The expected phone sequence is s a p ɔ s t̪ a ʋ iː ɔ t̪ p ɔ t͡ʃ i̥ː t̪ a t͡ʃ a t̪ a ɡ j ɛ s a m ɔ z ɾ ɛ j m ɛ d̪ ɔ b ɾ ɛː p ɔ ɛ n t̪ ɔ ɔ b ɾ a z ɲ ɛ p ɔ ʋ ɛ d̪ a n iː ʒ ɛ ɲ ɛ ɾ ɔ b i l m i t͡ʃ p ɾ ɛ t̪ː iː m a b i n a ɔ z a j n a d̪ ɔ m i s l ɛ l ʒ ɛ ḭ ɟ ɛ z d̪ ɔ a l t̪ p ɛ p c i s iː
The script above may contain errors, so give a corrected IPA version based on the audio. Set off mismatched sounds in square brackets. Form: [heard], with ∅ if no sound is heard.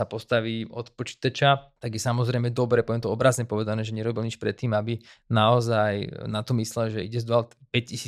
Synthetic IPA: s a p ɔ s t̪ a ʋ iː ɔ t̪ p ɔ t͡ʃ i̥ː t̪ a t͡ʃ a t̪ a ɡ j ɛ s a m ɔ z ɾ ɛ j m ɛ d̪ ɔ b ɾ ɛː p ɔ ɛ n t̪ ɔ ɔ b ɾ a z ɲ ɛ p ɔ ʋ ɛ d̪ a n [ɛː] ʒ ɛ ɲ ɛ ɾ ɔ b i l [ɲ] i t͡ʃ p ɾ ɛ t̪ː iː m a b i n a ɔ z a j n a [t̪] ɔ m i s l ɛ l ʒ ɛ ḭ ɟ ɛ z d̪ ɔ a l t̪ p ɛ [c] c i s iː